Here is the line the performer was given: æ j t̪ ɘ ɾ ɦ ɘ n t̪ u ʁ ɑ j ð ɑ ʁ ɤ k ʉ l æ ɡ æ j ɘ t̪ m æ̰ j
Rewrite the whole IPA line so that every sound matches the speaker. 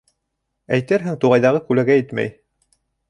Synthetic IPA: æ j t̪ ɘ ɾ ɦ ɘ ŋ t̪ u ʁ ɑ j ð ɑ ʁ ɤ k ʉ l æ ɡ æ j ɘ t̪ m æ̰ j